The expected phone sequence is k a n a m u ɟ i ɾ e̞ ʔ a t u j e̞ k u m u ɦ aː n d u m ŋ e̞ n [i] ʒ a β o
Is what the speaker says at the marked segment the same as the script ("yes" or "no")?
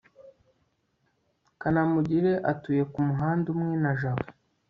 no